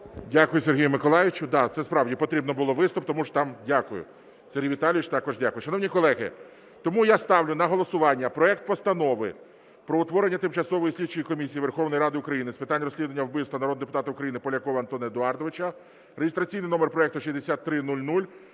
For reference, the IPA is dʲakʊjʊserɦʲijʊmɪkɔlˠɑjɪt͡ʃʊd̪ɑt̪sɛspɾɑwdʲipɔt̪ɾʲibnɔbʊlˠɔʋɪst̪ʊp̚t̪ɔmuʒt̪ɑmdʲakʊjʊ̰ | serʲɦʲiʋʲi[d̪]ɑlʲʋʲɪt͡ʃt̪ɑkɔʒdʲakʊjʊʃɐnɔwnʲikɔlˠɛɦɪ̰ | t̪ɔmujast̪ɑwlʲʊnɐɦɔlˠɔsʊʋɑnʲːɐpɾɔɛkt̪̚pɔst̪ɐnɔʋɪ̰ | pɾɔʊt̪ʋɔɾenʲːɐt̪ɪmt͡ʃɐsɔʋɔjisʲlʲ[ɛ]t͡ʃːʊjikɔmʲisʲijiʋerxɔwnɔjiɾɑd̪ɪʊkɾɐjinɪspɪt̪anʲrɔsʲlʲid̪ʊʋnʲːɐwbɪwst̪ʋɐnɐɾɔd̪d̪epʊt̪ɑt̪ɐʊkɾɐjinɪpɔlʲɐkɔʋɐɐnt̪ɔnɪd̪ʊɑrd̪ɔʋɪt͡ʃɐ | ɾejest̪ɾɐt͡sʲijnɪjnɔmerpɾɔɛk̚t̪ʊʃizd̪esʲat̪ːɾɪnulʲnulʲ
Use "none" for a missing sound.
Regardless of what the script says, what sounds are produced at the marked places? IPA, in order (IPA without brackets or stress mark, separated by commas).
t̪, i